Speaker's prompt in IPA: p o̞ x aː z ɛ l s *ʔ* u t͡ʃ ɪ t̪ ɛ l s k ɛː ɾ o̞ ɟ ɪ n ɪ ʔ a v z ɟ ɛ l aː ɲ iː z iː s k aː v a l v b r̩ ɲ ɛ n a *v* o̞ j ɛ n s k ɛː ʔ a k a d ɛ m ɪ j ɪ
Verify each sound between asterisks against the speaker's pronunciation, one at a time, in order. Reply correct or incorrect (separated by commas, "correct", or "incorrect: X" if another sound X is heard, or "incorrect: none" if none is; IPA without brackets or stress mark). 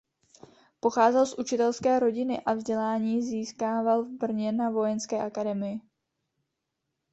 correct, correct